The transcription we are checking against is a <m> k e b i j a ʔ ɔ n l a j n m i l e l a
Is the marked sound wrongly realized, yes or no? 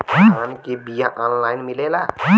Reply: yes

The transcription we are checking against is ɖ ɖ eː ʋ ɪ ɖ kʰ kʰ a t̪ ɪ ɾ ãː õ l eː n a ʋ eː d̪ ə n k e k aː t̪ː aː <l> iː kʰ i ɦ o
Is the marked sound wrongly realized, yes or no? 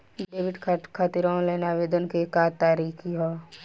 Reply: yes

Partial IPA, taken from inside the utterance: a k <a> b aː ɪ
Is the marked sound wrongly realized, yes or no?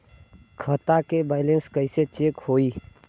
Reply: yes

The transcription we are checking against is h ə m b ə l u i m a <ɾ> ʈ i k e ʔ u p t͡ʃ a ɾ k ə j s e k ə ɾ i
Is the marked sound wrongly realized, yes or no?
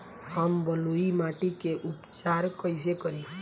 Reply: yes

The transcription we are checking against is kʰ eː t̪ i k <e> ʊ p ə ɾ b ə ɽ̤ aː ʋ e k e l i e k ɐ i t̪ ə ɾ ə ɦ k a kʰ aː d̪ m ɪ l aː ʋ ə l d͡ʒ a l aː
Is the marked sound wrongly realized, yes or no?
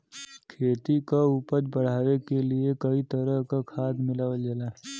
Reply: yes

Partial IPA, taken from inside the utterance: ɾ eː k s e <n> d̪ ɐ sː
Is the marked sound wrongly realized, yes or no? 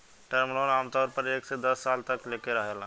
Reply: yes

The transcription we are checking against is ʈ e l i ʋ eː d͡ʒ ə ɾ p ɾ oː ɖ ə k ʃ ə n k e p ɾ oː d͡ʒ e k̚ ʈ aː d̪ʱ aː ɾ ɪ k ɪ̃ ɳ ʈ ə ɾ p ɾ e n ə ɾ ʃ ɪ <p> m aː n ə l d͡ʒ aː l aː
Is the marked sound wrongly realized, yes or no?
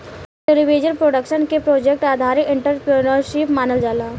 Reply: no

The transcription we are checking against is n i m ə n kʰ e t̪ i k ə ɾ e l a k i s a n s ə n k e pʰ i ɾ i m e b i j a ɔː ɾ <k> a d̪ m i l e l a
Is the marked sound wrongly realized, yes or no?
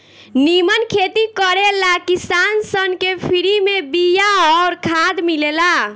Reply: yes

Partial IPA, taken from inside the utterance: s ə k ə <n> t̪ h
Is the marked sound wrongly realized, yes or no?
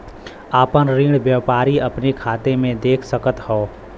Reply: yes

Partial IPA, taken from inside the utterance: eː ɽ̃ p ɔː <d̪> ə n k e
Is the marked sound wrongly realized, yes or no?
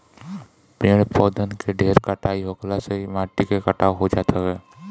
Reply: no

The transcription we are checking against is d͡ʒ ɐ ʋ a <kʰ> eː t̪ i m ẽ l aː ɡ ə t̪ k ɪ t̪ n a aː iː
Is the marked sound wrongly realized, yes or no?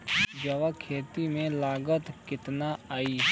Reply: no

